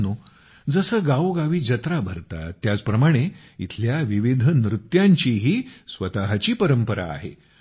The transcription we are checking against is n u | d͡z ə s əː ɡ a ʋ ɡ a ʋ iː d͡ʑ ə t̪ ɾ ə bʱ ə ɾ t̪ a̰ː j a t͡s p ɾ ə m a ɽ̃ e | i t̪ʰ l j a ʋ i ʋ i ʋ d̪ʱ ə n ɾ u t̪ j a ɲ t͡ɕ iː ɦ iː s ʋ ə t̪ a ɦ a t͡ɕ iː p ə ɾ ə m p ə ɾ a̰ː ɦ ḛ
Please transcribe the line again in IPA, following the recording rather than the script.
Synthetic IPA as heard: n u | d͡z ə s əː ɡ a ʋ ɡ a ʋ iː d͡ʑ ə t̪ ɾ a bʱ ə ɾ t̪ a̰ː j a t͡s p ɾ ə m a ɽ̃ e | i t̪ʰ l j a ʋ i ʋ i d̪ʱ ə n ɾ u t̪ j a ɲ t͡ɕ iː ɦ iː s ʋ ə t̪ a ɦ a t͡ɕ iː p ə ɾ ə m p ə ɾ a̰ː ɦ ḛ